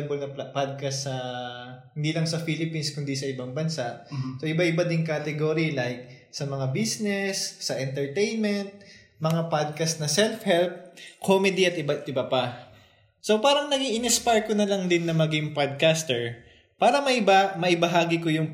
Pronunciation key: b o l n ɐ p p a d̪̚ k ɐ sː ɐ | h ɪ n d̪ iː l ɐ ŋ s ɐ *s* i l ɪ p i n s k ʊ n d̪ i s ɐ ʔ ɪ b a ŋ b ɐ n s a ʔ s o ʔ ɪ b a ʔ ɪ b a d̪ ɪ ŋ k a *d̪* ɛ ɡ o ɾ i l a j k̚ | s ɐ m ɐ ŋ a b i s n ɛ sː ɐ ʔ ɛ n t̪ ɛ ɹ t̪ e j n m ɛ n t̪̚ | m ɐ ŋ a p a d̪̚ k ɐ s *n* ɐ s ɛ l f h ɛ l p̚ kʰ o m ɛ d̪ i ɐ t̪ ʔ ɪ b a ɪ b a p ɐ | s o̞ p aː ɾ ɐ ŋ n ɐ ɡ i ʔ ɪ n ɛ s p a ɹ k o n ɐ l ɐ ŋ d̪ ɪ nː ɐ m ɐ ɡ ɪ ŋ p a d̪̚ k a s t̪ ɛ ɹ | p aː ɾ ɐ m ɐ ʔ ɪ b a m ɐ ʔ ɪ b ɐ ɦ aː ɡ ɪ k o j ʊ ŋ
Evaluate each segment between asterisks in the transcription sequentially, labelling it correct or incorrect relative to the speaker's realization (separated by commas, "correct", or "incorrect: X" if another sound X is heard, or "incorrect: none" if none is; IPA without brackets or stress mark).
incorrect: f, incorrect: t̪, correct